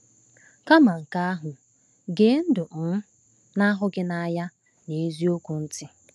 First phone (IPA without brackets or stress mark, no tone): k